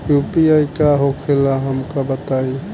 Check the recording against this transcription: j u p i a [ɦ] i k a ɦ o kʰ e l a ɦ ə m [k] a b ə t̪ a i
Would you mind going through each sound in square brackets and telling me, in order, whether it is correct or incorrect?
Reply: incorrect, correct

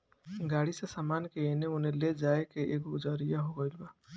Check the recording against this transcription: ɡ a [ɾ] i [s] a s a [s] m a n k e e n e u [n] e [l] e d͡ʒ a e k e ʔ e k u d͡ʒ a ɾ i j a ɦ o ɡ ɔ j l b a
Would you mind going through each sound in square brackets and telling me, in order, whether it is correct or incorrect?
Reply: incorrect, correct, incorrect, correct, correct

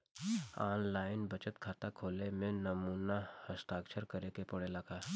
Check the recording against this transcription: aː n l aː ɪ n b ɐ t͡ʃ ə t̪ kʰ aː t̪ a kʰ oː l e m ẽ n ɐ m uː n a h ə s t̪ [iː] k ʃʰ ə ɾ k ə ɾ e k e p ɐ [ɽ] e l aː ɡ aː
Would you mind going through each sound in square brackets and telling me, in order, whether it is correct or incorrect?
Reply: incorrect, correct

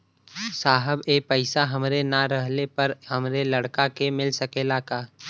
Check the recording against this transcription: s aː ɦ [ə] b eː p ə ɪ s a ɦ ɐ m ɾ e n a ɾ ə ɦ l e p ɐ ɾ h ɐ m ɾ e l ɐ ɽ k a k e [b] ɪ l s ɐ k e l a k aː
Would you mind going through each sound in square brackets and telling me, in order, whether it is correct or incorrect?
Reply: correct, incorrect

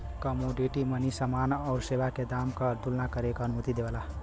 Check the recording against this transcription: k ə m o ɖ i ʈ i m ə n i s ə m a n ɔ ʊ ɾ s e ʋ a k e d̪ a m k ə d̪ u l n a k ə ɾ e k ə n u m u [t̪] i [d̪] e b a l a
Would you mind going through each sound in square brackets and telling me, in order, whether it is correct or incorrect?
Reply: correct, correct

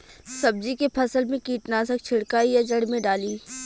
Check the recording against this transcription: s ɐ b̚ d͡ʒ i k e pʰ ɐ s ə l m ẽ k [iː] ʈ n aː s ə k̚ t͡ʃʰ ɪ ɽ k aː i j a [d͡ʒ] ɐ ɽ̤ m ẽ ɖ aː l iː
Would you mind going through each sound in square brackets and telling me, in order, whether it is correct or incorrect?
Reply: correct, correct

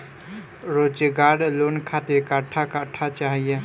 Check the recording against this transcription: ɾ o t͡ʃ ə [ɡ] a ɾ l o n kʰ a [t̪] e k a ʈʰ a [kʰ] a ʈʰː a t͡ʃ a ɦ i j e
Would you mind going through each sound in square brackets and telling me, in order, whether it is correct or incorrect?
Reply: correct, correct, incorrect

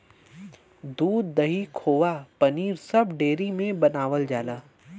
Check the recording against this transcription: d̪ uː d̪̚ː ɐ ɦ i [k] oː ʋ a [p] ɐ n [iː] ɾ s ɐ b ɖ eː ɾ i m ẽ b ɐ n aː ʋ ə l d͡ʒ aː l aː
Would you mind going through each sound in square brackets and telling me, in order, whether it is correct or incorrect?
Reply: incorrect, correct, correct

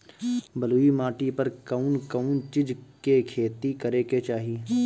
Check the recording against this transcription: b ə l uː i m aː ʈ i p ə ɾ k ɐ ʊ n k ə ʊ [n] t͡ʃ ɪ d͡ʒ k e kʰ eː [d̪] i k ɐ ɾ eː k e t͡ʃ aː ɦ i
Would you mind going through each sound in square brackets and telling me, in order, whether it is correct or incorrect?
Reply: correct, incorrect

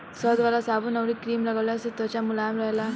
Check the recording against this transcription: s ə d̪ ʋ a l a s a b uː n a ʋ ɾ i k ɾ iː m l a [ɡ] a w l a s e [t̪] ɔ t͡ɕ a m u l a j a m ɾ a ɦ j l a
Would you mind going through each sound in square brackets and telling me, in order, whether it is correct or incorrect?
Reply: correct, correct

